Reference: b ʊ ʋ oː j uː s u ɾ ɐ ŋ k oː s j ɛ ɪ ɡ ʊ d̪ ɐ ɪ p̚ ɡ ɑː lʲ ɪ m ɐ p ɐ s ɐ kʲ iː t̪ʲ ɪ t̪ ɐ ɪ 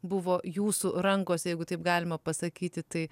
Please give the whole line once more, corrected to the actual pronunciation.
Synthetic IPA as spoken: b ʊ ʋ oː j uː s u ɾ ɐ ŋ k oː s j ɛ ɪ ɡ ʊ t̪ ɐ ɪ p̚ ɡ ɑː lʲ ɪ m ɐ p ɐ s ɐ kʲ iː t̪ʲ ɪ t̪ ɐ ɪ

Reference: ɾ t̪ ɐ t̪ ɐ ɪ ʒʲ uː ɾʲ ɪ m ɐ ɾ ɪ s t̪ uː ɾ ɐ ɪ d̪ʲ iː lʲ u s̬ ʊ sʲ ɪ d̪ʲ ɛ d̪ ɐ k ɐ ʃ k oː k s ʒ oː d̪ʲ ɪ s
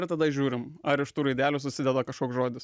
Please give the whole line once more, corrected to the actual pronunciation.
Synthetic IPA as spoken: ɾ t̪ ɐ d̪ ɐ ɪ ʒʲ uː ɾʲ ɪ m ɐ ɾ ɪ ʃ t̪ uː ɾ ɐ ɪ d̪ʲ æː lʲ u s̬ ʊ sʲ ɪ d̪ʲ ɛ d̪ ɐ k ɐ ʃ k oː k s ʒ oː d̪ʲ ɪ s

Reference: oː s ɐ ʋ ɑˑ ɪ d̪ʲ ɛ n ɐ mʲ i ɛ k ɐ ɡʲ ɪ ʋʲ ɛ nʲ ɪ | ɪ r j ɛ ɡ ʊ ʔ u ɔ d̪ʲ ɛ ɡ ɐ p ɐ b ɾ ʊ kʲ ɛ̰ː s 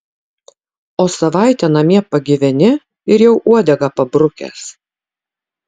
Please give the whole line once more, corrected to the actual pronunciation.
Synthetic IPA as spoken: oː s ɐ ʋ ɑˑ ɪ t̪ʲ ɛ n ɐ mʲ i ɛ p ɐ ɡʲ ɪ ʋʲ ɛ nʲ ɪ | ɪ ɾ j ɛ ʊ ʔ u ɔ d̪ʲ ɛ ɡ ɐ p ɐ b ɾ ʊ kʲ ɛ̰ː s

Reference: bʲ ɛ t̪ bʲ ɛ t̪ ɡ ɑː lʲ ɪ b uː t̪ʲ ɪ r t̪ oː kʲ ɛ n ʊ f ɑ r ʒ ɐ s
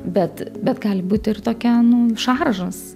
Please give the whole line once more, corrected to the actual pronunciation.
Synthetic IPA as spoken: bʲ ɛ t̪ bʲ ɛ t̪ ɡ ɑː lʲ ɪ b uː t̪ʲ ɪ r t̪ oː kʲ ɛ n ʊ ʃ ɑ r ʒ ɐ s

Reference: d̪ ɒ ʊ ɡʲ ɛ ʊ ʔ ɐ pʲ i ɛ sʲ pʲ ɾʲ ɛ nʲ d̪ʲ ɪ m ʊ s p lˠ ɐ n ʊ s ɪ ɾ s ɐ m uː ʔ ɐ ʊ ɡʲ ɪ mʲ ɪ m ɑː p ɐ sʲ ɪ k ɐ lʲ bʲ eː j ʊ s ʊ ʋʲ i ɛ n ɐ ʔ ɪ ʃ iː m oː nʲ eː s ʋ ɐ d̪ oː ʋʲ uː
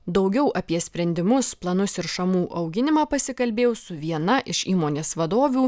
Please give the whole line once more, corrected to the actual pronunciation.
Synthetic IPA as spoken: d̪ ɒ ʊ ɡʲ ɛ ʊ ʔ ɐ pʲ i ɛ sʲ pʲ ɾʲ ɛ nʲ d̪ʲ ɪ m ʊ s p lˠ ɐ n ʊ s ɪ ɾ ʃ ɐ m uː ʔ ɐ ʊ ɡʲ ɪ nʲ ɪ m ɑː p ɐ sʲ ɪ k ɐ lʲ bʲ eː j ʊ s ʊ ʋʲ i ɛ n ɐ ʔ ɪ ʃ iː m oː nʲ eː s ʋ ɐ d̪ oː ʋʲ uː

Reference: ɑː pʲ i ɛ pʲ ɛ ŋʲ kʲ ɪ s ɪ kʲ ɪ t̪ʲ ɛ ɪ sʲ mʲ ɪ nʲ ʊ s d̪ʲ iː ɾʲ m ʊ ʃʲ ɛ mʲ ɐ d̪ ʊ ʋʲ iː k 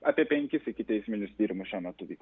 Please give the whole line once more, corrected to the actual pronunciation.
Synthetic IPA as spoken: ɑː pʲ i ɛ pʲ ɛ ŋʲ kʲ ɪ s ɪ kʲ ɪ t̪ʲ ɛ ɪ sʲ mʲ ɪ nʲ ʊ s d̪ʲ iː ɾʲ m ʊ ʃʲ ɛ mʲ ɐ t̪ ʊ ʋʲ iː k

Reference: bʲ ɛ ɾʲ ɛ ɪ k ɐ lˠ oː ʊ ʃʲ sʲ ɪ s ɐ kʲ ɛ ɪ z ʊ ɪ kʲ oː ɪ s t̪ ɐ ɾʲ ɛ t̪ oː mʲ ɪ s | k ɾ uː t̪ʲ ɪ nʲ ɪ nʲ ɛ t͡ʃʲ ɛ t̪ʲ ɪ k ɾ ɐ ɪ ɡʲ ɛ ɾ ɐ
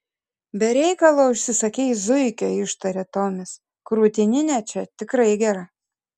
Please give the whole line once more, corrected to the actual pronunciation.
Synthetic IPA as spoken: bʲ ɛ ɾʲ ɛ ɪ k ɐ lˠ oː ʊ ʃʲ sʲ ɪ s ɐ kʲ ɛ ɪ z ʊ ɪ kʲ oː ɪ ʃ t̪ ɐ ɾʲ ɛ t̪ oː mʲ ɪ s | k ɾ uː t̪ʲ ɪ nʲ ɪ nʲ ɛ t͡ʃʲ ɛ t̪ʲ ɪ k ɾ ɐ ɪ ɡʲ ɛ ɾ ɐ

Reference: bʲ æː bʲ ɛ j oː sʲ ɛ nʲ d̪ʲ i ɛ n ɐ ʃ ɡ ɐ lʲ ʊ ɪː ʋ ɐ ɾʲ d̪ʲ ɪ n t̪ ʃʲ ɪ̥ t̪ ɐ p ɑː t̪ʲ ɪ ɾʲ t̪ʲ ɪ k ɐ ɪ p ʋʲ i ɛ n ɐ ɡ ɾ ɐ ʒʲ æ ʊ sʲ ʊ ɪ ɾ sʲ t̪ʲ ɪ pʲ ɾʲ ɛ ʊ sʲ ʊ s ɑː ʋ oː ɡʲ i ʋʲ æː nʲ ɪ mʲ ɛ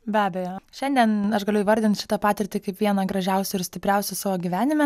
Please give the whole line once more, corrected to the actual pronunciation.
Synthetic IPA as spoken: bʲ æː bʲ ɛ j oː ʃʲ ɛ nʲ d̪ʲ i ɛ n ɐ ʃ ɡ ɐ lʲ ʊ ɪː ʋ ɐ ɾʲ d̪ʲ ɪ n t̪ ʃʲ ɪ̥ t̪ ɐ p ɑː t̪ʲ ɪ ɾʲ t̪ʲ ɪ k ɐ ɪ p ʋʲ i ɛ n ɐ ɡ ɾ ɐ ʒʲ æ ʊ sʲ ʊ ɪ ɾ sʲ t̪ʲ ɪ pʲ ɾʲ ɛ ʊ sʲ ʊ s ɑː ʋ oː ɡʲ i ʋʲ æː nʲ ɪ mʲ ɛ

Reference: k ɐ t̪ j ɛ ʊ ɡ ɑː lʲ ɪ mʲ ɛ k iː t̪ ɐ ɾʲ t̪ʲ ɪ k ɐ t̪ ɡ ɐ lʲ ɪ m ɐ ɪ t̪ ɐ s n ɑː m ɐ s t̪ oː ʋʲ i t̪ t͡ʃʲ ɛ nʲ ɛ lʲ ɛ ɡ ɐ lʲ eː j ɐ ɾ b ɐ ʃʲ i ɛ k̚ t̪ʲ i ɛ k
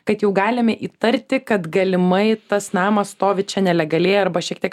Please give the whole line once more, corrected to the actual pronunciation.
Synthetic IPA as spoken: k ɐ t̪ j ɛ ʊ ɡ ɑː lʲ ɪ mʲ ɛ ʔ iː t̪ ɐ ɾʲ t̪ʲ ɪ k ɐ t̪ ɡ ɐ lʲ ɪ m ɐ ɪ t̪ ɐ s n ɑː m ɐ s t̪ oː ʋʲ ɪ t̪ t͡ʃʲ ɛ nʲ ɛ lʲ ɛ ɡ ɐ lʲ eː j ɐ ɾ b ɐ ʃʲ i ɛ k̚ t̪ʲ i ɛ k

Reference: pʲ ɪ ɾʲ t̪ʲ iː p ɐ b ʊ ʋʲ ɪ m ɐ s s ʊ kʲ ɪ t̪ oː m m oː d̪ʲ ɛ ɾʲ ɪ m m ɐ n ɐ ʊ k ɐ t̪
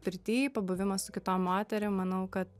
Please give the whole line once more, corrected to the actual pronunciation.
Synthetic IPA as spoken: pʲ ɪ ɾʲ t̪ʲ iː p ɐ b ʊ ʋʲ ɪ m ɐ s s ʊ kʲ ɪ t̪ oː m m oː t̪ʲ ɛ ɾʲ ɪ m m ɐ n ɐ ʊ k ɐ t̪

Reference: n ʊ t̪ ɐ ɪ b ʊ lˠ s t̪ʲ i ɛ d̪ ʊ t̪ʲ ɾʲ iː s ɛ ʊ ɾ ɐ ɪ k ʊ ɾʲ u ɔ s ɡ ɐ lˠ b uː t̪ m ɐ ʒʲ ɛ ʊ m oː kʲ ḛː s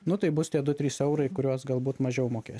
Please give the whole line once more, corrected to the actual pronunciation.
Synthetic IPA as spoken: n ʊ t̪ ɐ ɪ b ʊ s t̪ʲ i ɛ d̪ ʊ t̪ʲ ɾʲ iː s ɛ ʊ ɾ ɐ ɪ k ʊ ɾʲ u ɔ s ɡ ɐ lˠ b uː t̪ m ɐ ʒʲ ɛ ʊ m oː kʲ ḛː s

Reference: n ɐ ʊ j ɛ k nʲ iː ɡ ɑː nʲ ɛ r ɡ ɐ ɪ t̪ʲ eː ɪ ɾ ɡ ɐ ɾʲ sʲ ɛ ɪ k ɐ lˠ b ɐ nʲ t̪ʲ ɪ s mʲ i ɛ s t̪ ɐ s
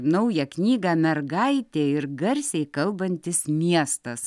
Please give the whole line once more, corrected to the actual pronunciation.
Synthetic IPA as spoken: n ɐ ʊ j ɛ k nʲ iː ɡ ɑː mʲ ɛ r ɡ ɐ ɪ t̪ʲ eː ɪ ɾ ɡ ɐ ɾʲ sʲ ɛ ɪ k ɐ lˠ b ɐ nʲ t̪ʲ ɪ s mʲ i ɛ s t̪ ɐ s

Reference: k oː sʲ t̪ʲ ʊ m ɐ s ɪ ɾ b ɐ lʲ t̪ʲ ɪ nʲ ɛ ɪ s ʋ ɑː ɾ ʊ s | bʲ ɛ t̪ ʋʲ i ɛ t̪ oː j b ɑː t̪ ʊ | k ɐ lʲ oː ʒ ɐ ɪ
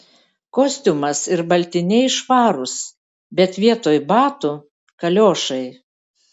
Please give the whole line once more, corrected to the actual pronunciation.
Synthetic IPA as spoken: k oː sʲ t̪ʲ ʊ m ɐ s ɪ ɾ b ɐ lʲ t̪ʲ ɪ nʲ ɛ ɪ ʃ ʋ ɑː ɾ ʊ s | bʲ ɛ t̪ ʋʲ i ɛ t̪ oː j b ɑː t̪ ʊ | k ɐ lʲ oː ʃ ɐ ɪ

